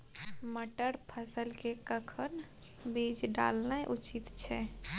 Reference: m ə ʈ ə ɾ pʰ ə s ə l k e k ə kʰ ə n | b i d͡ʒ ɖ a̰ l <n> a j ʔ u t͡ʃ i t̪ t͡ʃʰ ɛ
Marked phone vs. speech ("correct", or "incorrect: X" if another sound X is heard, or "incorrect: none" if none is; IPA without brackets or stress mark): correct